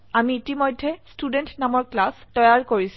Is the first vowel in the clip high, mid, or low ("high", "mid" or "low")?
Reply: low